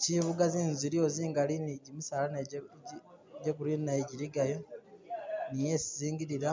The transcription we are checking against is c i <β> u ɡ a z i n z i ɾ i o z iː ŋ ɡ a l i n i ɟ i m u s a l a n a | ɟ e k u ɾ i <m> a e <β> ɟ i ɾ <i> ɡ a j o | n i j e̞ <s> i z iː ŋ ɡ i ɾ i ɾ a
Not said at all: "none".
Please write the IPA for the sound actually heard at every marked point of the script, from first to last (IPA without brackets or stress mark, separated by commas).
β, n, none, i, s